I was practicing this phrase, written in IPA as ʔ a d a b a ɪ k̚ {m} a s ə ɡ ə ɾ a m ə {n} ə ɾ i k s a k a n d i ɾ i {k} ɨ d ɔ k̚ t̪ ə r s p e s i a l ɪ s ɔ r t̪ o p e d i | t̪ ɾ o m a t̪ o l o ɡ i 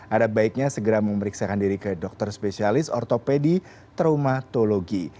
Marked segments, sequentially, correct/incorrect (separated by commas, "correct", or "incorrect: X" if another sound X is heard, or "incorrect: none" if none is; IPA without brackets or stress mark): incorrect: ɲ, incorrect: m, correct